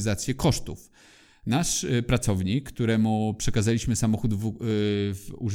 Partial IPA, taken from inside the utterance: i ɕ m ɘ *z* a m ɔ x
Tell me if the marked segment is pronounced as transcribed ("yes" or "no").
no